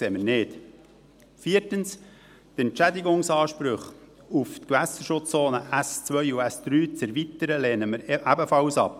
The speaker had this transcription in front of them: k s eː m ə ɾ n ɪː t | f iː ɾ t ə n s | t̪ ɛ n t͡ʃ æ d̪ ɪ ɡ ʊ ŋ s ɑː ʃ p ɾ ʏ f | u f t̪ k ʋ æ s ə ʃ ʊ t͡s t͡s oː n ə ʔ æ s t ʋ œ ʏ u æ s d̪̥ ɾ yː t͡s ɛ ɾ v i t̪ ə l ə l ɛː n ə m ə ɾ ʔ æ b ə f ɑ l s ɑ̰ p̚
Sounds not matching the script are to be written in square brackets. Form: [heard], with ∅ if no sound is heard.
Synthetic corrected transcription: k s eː m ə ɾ n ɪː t | f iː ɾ t ə n s | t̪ ɛ n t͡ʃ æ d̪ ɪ ɡ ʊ ŋ s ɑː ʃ p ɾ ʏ [χ] | u f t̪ k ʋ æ s ə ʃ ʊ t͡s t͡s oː n ə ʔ æ s [t͡s] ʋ œ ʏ u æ s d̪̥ ɾ yː t͡s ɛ ɾ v i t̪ ə [ɾ] ə l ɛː n ə m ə ɾ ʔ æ b ə f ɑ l s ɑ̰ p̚

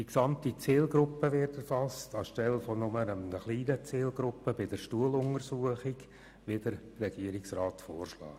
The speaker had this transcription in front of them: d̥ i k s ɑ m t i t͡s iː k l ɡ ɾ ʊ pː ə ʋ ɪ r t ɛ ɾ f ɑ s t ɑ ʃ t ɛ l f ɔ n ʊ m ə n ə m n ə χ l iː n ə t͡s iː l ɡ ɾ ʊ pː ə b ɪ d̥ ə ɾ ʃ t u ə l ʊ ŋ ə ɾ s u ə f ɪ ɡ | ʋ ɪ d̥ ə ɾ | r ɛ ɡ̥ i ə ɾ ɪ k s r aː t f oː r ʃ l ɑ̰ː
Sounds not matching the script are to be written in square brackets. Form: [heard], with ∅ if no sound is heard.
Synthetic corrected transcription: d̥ i k s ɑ m t i t͡s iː [∅] l ɡ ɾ ʊ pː ə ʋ ɪ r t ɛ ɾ f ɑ s t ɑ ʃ t ɛ l f ɔ n ʊ m ə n ə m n ə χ l iː n ə t͡s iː l ɡ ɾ ʊ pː ə b ɪ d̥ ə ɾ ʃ t u ə l ʊ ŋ ə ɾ s u ə [χ] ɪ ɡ | ʋ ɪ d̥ ə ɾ | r ɛ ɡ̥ i ə ɾ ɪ k s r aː t f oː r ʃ l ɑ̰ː

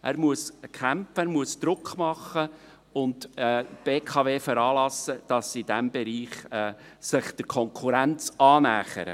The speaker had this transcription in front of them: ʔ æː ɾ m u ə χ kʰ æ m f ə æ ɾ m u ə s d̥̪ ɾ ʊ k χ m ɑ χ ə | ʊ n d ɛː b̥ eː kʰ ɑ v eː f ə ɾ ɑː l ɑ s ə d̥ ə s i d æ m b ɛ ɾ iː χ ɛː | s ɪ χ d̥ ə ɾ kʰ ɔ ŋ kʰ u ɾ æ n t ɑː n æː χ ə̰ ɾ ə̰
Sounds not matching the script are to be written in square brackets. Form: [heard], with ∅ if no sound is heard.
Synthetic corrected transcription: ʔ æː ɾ m u ə [s] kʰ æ m f ə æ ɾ m u ə s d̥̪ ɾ ʊ k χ m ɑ χ ə | ʊ n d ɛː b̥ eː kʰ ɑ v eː f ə ɾ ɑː l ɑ s ə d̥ [ɑ] s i d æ m b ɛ ɾ iː χ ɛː | s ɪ χ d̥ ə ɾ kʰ ɔ ŋ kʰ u ɾ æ n [t͡s] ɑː n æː χ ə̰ ɾ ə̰

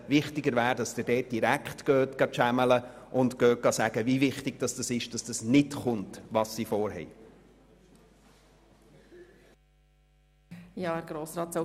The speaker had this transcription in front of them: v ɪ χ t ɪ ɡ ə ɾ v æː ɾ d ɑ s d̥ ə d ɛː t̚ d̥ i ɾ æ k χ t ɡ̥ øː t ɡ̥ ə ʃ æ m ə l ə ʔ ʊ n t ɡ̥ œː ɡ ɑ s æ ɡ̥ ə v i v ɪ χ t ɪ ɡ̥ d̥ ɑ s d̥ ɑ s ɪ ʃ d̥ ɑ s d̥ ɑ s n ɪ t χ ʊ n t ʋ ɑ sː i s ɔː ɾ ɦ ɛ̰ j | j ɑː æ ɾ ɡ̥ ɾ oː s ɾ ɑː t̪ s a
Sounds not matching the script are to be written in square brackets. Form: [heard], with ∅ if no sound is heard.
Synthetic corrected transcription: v ɪ χ t ɪ ɡ ə ɾ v æː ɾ d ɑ s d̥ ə d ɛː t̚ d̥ i ɾ æ k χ t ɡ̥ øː t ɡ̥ [ɑ] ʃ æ m ə l ə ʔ ʊ n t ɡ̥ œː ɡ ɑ s æ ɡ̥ ə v i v ɪ χ t ɪ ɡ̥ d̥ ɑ s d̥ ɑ s ɪ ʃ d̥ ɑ s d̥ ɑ s n ɪ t χ ʊ n t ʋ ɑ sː i [f] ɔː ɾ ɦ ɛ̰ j | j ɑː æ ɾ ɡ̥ ɾ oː s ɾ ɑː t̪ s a

